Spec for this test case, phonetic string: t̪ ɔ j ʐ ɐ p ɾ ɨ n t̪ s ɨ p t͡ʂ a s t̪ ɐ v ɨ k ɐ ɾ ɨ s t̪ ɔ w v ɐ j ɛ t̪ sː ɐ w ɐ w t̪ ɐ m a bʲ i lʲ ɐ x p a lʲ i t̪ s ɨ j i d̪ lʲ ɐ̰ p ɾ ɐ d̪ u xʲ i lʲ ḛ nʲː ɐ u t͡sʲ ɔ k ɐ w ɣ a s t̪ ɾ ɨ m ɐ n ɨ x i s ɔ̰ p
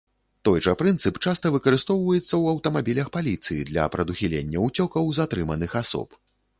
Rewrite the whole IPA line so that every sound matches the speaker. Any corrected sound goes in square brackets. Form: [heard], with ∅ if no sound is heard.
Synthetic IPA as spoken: t̪ ɔ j ʐ ɐ p ɾ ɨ n t̪ s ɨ p t͡ʂ a s t̪ ɐ v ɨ k ɐ ɾ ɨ s t̪ ɔ w v ɐ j ɛ t̪ sː ɐ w ɐ w t̪ ɐ m a bʲ i lʲ ɐ x p a lʲ i t̪ s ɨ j i d̪ lʲ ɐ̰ p ɾ ɐ d̪ u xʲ i lʲ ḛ nʲː ɐ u t͡sʲ ɔ k ɐ w [z] a [∅] t̪ ɾ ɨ m ɐ n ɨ x [a] s ɔ̰ p